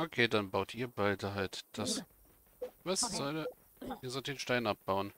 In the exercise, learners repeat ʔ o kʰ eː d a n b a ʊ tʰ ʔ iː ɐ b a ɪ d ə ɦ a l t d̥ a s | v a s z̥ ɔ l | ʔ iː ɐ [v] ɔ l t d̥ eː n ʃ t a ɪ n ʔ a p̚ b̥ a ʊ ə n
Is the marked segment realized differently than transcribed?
yes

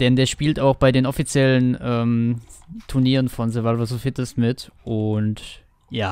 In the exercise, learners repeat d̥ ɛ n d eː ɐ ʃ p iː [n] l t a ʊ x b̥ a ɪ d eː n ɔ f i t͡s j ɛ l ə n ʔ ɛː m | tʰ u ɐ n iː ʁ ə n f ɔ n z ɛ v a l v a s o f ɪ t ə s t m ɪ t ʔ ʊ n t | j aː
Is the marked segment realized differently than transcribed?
yes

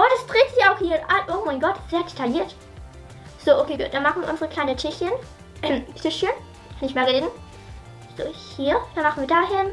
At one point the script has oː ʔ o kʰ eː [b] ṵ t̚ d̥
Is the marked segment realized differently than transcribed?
yes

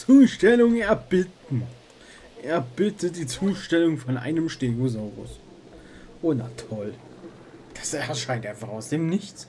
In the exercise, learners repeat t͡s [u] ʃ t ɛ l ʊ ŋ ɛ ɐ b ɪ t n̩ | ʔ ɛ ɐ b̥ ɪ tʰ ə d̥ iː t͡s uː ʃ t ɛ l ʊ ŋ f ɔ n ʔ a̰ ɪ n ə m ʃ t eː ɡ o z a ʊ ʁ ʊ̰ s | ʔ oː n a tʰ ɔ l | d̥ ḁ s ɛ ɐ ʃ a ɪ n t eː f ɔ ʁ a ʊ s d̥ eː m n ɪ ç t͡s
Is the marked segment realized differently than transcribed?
yes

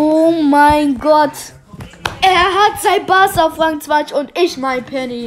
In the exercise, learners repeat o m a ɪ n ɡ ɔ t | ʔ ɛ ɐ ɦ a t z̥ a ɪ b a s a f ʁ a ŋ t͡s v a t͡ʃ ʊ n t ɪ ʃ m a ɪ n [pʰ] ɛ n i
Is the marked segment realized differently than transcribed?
no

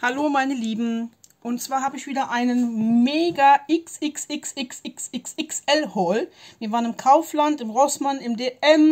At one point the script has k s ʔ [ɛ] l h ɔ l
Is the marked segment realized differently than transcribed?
no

